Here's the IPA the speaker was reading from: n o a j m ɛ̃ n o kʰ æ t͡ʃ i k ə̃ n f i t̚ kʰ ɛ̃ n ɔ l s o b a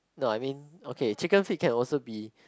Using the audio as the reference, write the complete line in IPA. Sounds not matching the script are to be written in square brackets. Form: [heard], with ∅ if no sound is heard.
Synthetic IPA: n o a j m [ĩ] n o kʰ [e] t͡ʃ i k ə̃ n f i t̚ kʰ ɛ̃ n ɔ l s o b [i]

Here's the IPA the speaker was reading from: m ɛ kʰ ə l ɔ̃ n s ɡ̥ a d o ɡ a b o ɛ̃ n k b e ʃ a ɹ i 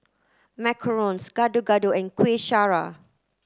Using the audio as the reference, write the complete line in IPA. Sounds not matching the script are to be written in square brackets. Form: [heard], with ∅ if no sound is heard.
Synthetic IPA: m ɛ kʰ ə [ɹ] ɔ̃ n s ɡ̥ a d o ɡ a [d] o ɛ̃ n k [w] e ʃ a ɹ [a]

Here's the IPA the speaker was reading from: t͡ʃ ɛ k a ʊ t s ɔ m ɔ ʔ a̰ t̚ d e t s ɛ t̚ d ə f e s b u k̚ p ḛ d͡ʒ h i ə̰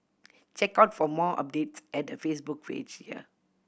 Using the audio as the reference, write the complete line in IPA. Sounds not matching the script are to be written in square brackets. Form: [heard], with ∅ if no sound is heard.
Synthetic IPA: t͡ʃ ɛ k a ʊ t [f] ɔ m ɔ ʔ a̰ [p̚] d e t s ɛ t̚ d ə f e s b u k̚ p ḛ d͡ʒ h i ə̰

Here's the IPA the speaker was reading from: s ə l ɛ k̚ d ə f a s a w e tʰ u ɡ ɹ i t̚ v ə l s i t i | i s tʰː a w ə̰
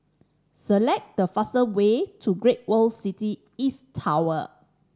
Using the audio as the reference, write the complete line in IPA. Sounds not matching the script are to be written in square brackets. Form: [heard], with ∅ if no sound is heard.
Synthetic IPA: s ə l ɛ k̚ d ə f a s [ə] w e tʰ u ɡ ɹ [e] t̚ [w] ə l s i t i | i s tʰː a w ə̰

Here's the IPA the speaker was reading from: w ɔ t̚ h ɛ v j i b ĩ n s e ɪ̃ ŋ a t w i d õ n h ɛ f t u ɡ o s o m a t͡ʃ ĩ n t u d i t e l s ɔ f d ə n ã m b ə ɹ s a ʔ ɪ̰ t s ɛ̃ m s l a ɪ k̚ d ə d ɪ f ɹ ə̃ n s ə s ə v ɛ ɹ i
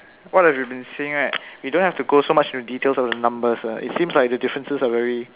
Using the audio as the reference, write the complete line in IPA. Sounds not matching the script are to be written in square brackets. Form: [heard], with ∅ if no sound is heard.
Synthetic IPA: w ɔ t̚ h ɛ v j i b ĩ n s e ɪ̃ ŋ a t w i d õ n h ɛ f t u ɡ o s o m a t͡ʃ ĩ n t u d i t e l s ɔ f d ə n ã m b ə [∅] s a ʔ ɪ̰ t s [ĩ] m s l a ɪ k̚ d ə d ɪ f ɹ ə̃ n s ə s [a] v ɛ ɹ i

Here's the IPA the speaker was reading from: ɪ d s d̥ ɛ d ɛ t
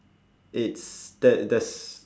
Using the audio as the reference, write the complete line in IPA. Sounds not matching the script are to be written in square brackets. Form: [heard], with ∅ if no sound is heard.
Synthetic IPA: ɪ [t] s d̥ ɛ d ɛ [s]

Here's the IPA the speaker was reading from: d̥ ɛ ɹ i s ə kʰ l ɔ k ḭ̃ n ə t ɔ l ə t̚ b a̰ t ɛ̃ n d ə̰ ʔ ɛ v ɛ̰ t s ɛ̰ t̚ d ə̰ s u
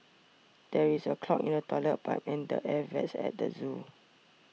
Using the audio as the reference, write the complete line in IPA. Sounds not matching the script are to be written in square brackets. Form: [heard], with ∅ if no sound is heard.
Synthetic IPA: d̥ ɛ ɹ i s ə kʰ l ɔ k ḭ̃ n ə t ɔ l ə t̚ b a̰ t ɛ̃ n d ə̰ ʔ ɛ v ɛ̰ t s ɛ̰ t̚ d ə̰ [z] u

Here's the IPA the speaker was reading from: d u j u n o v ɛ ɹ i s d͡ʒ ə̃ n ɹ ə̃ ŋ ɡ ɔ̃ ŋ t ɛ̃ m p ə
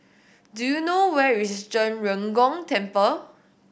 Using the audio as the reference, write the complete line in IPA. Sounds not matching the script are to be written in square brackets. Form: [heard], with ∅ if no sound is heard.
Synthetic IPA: d u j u n o [w] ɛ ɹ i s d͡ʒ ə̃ n ɹ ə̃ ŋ ɡ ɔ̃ ŋ t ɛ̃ m p ə

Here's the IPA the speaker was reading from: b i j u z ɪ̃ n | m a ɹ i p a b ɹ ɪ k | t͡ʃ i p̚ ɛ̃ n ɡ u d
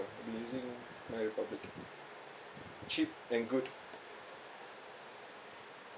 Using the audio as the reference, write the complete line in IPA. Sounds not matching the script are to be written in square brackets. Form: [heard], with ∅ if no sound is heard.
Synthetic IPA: b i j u z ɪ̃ [ŋ] | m a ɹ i p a b [l] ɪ k | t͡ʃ i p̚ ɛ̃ n ɡ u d

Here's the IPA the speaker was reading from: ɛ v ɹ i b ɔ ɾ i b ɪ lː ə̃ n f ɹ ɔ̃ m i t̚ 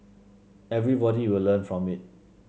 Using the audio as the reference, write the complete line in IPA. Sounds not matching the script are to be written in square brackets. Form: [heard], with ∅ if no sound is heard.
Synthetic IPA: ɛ v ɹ i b ɔ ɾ i [w] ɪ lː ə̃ n f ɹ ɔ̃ m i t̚

